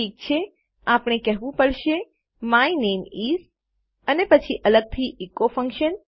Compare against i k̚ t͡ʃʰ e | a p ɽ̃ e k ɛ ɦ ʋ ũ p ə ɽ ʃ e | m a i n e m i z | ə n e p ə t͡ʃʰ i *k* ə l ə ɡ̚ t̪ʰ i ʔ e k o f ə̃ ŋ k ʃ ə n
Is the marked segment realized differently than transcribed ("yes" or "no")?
yes